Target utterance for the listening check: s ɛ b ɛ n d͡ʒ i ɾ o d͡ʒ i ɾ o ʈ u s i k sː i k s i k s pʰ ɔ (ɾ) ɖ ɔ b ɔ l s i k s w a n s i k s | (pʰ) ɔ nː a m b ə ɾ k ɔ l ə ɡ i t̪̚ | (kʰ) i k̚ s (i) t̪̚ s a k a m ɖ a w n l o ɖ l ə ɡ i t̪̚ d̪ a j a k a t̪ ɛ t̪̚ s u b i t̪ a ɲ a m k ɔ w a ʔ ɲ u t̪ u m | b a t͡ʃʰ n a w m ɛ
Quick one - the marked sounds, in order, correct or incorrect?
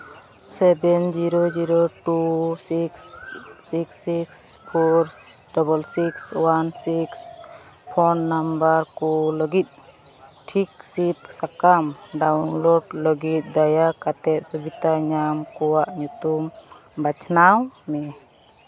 correct, correct, incorrect, correct

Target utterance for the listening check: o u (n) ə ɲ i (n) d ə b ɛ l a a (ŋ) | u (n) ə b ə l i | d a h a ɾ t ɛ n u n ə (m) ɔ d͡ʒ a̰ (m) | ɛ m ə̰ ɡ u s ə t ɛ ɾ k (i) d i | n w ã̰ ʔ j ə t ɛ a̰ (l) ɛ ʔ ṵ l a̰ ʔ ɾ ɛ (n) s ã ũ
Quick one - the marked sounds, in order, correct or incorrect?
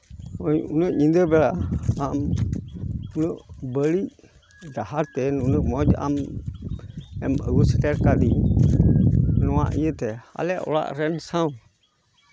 correct, correct, incorrect, correct, correct, correct, incorrect, correct, correct

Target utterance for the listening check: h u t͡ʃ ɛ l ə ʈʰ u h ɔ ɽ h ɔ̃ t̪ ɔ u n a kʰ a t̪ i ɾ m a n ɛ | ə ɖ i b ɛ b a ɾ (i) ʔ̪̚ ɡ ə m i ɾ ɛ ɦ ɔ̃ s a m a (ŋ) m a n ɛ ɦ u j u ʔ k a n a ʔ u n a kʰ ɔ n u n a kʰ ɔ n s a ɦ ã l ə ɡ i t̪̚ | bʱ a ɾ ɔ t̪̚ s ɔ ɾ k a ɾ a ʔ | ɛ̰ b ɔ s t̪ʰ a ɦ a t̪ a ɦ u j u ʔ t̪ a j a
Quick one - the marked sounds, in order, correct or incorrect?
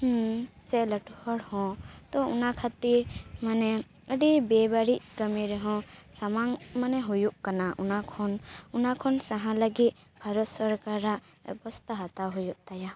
correct, correct

